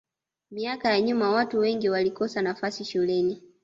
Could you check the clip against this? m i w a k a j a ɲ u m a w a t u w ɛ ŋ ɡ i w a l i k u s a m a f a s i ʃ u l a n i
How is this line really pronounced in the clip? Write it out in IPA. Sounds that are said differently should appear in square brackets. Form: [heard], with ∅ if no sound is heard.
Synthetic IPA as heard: m i [∅] a k a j a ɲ u m a w a t u w ɛ ŋ ɡ i w a l i k [ɔ] s a [n] a f a s i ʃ u l [ɛ] n i